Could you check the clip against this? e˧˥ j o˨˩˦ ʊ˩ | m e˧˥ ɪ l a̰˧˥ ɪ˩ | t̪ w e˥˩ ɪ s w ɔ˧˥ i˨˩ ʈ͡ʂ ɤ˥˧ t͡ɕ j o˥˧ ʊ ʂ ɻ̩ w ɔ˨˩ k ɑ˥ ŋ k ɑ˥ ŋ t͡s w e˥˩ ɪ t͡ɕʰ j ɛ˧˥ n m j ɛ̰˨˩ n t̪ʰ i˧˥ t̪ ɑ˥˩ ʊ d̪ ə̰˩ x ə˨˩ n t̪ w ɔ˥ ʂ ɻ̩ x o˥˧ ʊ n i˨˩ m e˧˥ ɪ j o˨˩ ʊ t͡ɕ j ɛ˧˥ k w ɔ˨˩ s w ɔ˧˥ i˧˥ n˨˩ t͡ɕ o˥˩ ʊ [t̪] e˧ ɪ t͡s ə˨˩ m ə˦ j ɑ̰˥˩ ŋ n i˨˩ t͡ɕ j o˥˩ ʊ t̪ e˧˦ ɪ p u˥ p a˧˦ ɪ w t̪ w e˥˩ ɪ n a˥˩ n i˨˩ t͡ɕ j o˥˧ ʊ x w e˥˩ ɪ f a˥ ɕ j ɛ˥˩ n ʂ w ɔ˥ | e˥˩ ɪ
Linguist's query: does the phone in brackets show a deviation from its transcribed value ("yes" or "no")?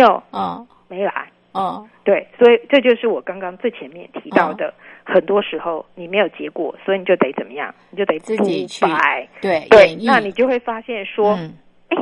no